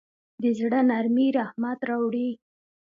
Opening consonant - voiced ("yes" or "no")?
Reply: yes